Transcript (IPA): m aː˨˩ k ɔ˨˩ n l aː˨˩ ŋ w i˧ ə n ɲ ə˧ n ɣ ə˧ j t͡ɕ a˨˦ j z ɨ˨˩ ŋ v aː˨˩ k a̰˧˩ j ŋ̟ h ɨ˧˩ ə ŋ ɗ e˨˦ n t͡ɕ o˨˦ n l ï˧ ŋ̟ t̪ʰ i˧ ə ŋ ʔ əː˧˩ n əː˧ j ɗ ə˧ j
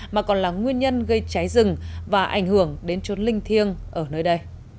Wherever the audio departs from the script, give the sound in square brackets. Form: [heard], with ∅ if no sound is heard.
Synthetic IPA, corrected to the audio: m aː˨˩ k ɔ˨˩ n l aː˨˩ ŋ w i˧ ə n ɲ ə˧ n ɣ ə˧ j t͡ɕ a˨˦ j z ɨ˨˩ ŋ v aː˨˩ [ʔ] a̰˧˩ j ŋ̟ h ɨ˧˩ ə ŋ ɗ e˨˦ n t͡ɕ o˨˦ n l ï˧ ŋ̟ t̪ʰ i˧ ə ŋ ʔ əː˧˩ n əː˧ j ɗ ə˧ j

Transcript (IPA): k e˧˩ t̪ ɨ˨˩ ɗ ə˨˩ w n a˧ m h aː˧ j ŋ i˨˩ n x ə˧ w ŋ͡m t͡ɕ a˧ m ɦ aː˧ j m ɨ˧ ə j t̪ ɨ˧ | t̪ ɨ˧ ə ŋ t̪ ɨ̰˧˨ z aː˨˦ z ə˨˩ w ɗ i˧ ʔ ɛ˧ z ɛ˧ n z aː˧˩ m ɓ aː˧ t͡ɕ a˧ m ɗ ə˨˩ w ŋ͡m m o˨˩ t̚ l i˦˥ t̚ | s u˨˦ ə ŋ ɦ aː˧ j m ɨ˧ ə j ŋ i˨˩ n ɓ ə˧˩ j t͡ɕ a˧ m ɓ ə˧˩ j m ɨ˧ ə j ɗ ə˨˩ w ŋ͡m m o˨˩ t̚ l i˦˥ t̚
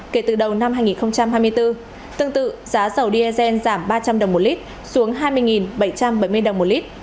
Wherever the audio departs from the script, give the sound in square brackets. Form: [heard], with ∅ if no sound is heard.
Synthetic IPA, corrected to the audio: k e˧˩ t̪ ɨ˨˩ ɗ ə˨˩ w n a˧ m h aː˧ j ŋ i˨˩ n x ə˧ w ŋ͡m t͡ɕ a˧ m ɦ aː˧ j m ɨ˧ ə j t̪ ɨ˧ | t̪ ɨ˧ ə ŋ t̪ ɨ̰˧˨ z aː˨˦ z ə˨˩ w ɗ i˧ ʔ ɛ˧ z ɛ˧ n z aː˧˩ m ɓ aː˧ t͡ɕ a˧ m ɗ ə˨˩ w ŋ͡m m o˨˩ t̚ l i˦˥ t̚ | s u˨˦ ə ŋ ɦ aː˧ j m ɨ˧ ə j ŋ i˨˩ n ɓ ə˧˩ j t͡ɕ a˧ m ɓ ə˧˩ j m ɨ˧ ə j ɗ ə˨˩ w ŋ͡m m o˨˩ t̚ l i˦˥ t̚

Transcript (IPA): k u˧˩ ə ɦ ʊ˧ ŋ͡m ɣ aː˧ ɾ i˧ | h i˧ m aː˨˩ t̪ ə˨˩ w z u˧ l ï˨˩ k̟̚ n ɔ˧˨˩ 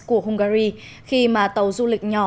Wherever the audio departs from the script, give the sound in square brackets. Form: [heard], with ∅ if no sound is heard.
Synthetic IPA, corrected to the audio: k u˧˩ ə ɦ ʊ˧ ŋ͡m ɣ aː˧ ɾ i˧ | [x] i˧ m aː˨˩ t̪ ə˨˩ w z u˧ l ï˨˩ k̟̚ [ɲ] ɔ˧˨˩

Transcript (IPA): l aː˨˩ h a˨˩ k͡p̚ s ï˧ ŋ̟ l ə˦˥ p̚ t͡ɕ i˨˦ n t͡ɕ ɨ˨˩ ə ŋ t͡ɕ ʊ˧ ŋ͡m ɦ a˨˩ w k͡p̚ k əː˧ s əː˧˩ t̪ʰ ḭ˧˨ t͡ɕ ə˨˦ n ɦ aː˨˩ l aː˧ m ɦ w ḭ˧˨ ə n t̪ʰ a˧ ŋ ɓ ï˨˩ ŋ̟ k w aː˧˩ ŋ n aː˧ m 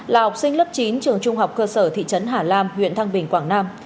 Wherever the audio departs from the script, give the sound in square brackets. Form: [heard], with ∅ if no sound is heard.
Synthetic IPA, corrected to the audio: l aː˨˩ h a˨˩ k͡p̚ s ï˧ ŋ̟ l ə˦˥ p̚ t͡ɕ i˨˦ n t͡ɕ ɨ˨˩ ə ŋ t͡ɕ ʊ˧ ŋ͡m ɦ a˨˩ w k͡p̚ k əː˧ s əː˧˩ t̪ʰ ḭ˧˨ t͡ɕ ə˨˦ n ɦ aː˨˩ l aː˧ m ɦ w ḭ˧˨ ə n t̪ʰ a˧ ŋ ɓ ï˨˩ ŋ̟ k w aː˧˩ ŋ n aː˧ m

